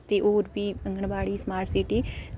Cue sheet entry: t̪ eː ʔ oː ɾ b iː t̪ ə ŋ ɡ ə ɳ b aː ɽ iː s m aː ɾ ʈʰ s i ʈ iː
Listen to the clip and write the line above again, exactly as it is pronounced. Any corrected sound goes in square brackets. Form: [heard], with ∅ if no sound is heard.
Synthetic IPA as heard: t̪ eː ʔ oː ɾ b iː [∅] ə ŋ ɡ ə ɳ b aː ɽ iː s m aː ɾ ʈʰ s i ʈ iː